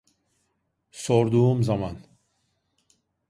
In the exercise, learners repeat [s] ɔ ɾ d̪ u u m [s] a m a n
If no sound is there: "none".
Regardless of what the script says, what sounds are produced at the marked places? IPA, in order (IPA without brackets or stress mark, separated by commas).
s, z